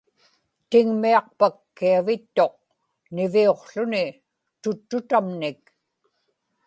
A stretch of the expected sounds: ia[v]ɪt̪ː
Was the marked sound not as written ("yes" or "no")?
no